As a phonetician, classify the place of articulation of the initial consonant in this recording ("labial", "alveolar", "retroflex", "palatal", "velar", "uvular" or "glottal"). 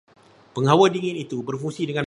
labial